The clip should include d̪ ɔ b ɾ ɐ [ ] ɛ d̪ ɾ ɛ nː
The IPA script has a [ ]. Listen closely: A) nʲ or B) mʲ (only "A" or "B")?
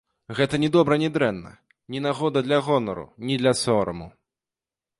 A